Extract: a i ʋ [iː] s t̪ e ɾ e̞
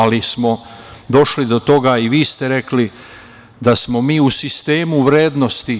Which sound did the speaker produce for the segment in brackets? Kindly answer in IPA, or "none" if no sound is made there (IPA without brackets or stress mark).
iː